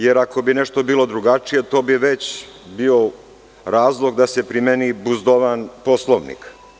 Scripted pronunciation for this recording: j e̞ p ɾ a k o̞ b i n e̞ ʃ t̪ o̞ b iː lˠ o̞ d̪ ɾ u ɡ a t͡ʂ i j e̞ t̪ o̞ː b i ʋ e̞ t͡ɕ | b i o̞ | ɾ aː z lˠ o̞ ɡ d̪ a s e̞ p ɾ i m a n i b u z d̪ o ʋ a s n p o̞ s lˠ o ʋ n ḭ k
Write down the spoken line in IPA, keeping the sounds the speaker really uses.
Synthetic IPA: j e̞ ɾ a k o̞ b i n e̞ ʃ t̪ o̞ b iː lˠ o̞ d̪ ɾ u ɡ a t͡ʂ i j e̞ t̪ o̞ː b i ʋ e̞ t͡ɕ | b i o̞ | ɾ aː z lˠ o̞ ɡ d̪ a s e̞ p ɾ i m e n i b u z d̪ o ʋ a n p o̞ s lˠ o ʋ n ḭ k